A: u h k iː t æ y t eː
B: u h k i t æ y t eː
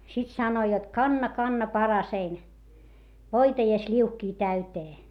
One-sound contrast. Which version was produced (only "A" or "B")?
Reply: A